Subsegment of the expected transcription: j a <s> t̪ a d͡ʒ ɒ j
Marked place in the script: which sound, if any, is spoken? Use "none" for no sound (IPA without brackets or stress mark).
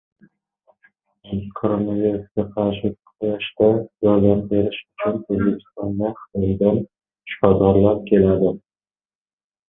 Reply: ʃ